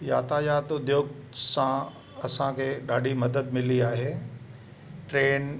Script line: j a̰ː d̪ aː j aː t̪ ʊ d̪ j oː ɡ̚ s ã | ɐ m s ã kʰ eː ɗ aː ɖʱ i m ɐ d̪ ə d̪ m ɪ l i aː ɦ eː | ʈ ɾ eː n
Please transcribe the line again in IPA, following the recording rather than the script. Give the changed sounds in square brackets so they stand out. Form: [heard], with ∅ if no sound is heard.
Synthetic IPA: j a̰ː [t̪] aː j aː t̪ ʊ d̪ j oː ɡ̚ s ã | ɐ [∅] s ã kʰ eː ɗ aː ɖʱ i m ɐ d̪ ə d̪ m ɪ l i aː ɦ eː | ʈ ɾ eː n